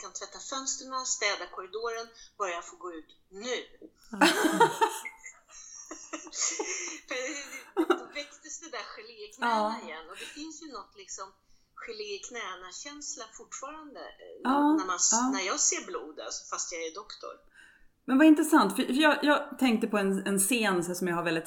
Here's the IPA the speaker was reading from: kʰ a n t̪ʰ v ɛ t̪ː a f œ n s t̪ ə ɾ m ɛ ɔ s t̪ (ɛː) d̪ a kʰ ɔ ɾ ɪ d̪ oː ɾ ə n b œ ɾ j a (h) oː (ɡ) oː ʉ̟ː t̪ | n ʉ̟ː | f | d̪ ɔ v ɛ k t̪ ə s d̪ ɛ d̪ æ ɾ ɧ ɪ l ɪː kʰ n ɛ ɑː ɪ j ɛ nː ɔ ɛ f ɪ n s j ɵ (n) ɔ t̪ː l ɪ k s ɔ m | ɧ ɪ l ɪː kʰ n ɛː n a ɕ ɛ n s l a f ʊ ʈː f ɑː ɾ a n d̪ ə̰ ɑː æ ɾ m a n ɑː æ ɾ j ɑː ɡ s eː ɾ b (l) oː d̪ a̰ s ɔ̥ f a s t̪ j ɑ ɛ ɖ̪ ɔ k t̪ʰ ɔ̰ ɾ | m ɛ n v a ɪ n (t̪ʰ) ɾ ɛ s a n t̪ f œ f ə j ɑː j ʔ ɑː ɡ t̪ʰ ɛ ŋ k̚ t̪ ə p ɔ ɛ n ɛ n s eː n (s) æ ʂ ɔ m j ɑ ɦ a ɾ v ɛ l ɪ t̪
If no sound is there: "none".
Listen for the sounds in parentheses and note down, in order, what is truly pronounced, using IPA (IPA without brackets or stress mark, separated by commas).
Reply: ɛː, f, ɡ, n, l, t̪, s